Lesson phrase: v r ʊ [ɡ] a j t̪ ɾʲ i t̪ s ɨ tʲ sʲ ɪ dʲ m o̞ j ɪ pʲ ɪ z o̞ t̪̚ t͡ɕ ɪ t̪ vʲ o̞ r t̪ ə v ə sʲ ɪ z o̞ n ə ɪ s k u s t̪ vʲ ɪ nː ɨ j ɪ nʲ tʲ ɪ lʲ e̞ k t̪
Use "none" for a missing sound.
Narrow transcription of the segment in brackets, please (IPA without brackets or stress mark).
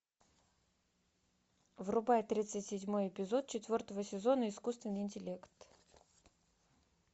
b